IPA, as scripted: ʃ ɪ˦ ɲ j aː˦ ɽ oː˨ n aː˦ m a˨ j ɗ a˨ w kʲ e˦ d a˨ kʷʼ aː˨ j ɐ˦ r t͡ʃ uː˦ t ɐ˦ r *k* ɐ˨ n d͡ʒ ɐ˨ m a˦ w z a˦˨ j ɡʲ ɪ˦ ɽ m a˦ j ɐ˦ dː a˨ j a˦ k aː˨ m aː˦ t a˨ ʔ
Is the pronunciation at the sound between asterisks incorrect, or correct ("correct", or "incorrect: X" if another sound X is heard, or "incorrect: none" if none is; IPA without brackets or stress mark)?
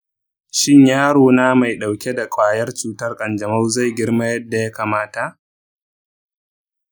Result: incorrect: kʼ